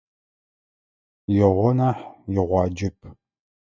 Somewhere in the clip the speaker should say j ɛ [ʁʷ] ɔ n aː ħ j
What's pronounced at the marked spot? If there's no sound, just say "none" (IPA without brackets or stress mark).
ʁʷ